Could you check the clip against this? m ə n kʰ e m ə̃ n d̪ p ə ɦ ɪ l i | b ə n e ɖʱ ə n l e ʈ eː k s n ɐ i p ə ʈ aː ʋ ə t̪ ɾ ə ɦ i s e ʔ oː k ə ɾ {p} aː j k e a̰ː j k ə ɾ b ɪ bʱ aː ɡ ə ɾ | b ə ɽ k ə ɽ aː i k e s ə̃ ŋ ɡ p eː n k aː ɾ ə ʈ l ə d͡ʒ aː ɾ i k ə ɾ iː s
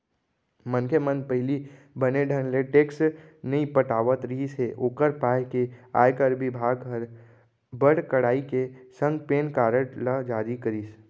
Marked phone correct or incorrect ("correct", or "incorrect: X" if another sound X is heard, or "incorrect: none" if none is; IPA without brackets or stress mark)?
correct